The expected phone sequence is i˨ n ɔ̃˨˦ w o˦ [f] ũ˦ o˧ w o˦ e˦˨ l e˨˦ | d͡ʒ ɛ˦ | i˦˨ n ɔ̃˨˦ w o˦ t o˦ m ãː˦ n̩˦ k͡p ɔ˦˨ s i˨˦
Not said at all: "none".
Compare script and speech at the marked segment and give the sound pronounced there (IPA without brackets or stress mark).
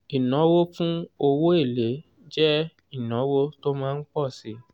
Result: f